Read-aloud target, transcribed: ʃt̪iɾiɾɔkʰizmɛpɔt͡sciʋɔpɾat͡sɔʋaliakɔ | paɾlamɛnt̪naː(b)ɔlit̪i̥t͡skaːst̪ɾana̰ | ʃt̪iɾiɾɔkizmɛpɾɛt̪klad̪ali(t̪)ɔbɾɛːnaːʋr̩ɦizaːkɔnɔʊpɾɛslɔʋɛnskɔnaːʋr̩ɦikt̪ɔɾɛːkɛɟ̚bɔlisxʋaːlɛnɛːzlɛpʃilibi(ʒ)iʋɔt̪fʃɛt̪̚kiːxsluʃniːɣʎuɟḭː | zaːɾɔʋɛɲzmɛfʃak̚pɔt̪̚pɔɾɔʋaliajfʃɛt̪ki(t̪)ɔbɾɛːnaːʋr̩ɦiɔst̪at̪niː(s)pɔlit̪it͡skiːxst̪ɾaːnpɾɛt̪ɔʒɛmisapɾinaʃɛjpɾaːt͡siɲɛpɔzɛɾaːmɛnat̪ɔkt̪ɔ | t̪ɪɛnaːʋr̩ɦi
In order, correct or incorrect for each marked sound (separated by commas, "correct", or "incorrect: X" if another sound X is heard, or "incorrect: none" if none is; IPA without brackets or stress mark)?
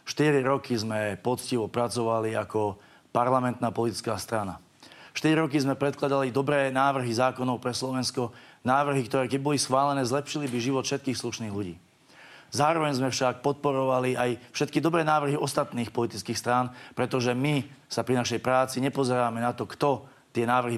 incorrect: p, incorrect: d̪, correct, incorrect: d̪, incorrect: x